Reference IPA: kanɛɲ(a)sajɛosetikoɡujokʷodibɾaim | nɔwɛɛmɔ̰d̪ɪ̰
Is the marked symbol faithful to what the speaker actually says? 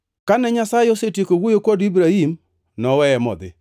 yes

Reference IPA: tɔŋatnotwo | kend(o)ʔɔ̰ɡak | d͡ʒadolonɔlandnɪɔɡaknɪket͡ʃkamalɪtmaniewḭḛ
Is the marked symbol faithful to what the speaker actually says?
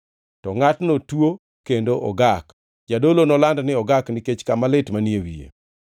yes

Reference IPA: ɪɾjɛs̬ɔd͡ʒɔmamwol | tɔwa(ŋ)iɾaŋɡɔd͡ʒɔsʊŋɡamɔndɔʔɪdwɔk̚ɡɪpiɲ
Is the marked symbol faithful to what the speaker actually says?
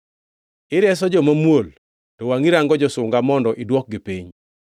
yes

